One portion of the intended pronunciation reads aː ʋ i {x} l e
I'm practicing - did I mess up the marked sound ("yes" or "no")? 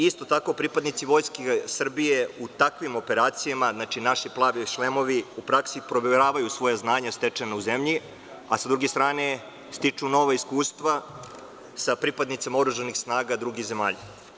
yes